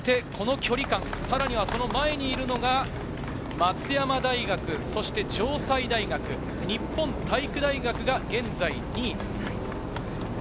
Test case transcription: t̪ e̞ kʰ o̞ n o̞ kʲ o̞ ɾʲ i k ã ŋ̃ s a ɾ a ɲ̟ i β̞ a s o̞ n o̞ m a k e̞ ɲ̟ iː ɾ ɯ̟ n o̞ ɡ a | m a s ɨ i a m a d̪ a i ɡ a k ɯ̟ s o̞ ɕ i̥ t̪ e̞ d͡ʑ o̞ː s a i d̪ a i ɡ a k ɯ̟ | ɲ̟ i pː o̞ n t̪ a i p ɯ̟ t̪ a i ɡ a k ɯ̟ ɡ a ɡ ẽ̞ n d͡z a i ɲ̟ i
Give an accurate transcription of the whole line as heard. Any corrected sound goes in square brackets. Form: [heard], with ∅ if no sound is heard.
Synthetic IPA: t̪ e̞ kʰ o̞ n o̞ kʲ o̞ ɾʲ i k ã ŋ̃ s a ɾ a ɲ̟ i β̞ a s o̞ n o̞ m a [∅] e̞ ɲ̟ iː ɾ ɯ̟ n o̞ ɡ a | m a [t͡s] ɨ [j] a m a d̪ a i ɡ a k ɯ̟ s o̞ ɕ i̥ t̪ e̞ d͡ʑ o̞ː s a i d̪ a i ɡ a k ɯ̟ | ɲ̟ i pː [õ̞] n t̪ a i [k] ɯ̟ [d̪] a i ɡ a k ɯ̟ ɡ a ɡ ẽ̞ n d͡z a i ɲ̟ i